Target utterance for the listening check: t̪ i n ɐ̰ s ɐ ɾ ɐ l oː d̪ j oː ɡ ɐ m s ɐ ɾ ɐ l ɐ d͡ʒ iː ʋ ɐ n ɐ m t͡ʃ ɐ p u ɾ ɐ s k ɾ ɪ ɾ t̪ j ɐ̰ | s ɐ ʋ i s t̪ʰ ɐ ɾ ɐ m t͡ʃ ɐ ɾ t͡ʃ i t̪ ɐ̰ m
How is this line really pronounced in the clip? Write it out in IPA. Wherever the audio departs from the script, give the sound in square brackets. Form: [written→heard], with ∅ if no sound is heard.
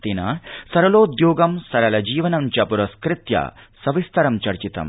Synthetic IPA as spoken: t̪ i n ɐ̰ s ɐ ɾ ɐ l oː d̪ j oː ɡ ɐ m s ɐ ɾ ɐ l ɐ d͡ʒ iː ʋ ɐ n ɐ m t͡ʃ ɐ p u ɾ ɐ s k ɾ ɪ [ɾ→∅] t̪ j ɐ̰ | s ɐ ʋ i s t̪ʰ ɐ ɾ ɐ m t͡ʃ ɐ ɾ t͡ʃ i t̪ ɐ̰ m